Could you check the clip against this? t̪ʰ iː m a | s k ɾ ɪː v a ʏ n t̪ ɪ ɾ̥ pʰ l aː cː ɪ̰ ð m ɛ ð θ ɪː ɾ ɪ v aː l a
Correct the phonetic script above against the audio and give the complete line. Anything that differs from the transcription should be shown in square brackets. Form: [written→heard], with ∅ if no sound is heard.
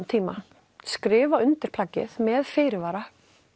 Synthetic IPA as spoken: t̪ʰ iː m a | s k ɾ ɪː v a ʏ n t̪ ɪ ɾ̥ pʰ l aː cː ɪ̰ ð m ɛ ð [θ→f] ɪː ɾ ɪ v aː [l→ɾ] a